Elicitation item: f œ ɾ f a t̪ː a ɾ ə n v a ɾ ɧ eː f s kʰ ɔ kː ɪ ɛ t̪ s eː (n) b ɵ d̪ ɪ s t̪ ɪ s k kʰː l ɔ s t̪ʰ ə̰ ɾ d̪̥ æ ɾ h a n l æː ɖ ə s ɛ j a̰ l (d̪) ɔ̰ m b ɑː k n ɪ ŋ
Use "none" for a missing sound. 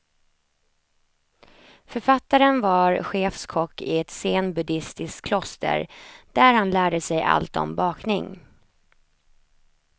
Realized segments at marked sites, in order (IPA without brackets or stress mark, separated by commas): n, t̪